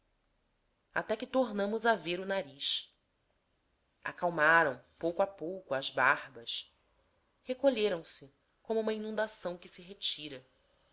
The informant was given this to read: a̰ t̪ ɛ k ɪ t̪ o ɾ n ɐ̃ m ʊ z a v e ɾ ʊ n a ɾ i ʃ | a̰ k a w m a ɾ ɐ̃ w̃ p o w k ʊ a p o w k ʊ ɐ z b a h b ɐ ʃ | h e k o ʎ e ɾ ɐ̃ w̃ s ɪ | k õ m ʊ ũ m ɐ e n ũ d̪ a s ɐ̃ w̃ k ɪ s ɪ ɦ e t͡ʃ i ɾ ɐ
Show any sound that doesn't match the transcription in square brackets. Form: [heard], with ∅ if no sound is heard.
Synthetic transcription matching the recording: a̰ t̪ ɛ k ɪ t̪ o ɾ n ɐ̃ m ʊ z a v e ɾ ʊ n a ɾ i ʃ | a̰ k a w m a ɾ ɐ̃ w̃ p o w k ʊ a p o w k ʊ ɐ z b a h b ɐ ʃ | h e k o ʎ e ɾ ɐ̃ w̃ s ɪ | k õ m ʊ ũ m ɐ [i] n ũ d̪ a s ɐ̃ w̃ k ɪ s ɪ ɦ e t͡ʃ i ɾ ɐ